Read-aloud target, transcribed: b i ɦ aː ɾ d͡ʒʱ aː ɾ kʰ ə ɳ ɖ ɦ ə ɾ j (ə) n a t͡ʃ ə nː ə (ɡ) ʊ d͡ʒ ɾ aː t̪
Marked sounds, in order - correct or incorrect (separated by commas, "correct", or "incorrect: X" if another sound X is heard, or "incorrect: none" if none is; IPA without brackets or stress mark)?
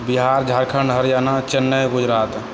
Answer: incorrect: a, correct